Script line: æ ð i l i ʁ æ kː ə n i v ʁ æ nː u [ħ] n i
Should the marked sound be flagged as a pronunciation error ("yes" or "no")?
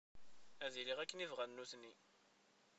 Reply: yes